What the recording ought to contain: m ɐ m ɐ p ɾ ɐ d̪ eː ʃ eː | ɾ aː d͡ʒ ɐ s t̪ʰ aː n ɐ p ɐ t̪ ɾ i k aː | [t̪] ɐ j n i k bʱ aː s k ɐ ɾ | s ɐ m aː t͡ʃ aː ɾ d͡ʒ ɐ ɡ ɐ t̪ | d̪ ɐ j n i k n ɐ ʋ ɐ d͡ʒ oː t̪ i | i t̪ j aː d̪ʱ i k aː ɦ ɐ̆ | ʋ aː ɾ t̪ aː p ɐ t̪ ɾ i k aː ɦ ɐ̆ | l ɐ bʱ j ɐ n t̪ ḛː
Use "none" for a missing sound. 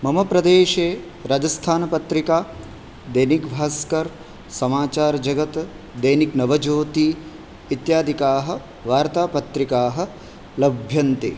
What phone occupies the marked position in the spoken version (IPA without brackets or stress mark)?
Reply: d̪